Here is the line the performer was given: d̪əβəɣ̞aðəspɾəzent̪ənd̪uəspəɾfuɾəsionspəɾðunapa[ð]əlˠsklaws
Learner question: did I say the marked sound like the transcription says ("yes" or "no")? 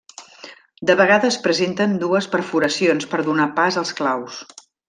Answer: no